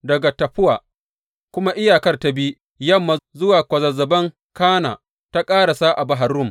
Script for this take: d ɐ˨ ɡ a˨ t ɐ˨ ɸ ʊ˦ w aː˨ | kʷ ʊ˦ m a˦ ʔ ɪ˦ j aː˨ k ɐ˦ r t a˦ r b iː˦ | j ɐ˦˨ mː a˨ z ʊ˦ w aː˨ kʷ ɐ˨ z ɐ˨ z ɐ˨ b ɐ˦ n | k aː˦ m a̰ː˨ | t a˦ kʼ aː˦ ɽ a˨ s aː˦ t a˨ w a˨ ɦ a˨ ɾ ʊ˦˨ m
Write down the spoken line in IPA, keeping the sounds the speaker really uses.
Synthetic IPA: d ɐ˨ ɡ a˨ t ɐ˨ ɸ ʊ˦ w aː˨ | kʷ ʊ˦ m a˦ ʔ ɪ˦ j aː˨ k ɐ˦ r t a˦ b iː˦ | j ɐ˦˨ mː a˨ z ʊ˦ w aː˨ kʷ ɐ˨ z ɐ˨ z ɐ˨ b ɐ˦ ŋ | k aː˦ n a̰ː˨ | t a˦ kʼ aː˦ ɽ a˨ s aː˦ ʔ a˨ b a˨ ɦ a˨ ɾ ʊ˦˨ m